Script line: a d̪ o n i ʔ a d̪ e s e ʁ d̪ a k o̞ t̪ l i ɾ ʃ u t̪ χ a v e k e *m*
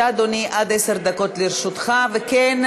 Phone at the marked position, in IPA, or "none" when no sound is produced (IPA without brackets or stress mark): n